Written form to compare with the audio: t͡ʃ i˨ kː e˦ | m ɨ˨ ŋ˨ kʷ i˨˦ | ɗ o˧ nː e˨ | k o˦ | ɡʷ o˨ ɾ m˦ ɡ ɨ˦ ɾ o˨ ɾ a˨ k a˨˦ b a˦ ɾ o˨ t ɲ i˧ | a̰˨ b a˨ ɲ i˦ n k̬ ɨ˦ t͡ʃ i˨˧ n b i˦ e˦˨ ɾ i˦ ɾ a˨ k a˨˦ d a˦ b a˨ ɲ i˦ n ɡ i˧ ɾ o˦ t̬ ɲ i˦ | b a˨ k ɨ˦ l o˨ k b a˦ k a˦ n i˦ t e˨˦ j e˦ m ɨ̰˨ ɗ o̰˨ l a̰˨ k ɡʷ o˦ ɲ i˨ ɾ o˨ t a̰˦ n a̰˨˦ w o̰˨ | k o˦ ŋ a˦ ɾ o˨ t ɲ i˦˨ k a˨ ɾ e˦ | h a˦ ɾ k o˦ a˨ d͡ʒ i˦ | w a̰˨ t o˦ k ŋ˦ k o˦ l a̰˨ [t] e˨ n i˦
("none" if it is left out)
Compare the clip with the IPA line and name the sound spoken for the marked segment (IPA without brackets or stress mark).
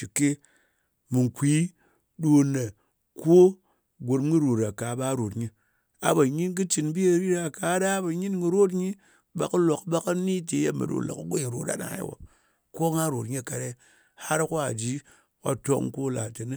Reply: t